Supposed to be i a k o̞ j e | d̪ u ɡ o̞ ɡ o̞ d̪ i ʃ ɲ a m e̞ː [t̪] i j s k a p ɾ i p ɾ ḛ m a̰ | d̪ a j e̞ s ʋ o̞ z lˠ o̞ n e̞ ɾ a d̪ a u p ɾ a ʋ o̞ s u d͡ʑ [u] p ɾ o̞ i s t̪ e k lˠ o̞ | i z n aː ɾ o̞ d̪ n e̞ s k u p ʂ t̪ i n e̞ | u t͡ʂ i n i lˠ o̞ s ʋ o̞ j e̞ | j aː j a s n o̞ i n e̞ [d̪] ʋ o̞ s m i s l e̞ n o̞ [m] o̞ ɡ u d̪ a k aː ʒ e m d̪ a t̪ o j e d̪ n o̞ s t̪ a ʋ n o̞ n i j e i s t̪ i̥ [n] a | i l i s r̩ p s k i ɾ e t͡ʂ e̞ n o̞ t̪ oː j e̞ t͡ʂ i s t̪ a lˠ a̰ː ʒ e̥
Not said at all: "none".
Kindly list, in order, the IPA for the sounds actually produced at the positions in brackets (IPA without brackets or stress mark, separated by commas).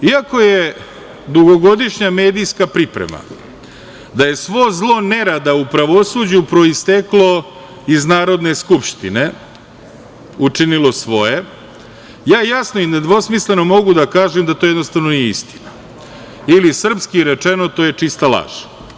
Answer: d̪, u, d̪, m, n